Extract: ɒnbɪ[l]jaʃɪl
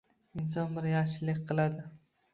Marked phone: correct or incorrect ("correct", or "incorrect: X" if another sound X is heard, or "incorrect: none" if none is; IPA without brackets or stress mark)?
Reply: incorrect: ɾ